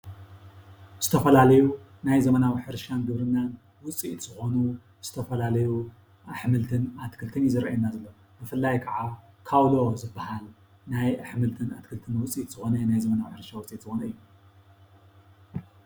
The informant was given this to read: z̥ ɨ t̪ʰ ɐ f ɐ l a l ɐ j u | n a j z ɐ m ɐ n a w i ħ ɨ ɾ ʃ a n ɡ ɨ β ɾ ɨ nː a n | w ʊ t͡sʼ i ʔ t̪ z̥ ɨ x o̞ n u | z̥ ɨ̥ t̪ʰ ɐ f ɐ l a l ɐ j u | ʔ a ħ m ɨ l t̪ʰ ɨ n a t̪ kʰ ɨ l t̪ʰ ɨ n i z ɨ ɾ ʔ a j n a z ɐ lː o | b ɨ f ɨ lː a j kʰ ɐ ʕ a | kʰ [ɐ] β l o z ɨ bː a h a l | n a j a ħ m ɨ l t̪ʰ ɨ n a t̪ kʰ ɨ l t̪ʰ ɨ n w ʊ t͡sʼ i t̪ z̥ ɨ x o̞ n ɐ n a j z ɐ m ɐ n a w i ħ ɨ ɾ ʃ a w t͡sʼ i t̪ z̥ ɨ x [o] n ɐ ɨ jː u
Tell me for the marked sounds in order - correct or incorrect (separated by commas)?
incorrect, correct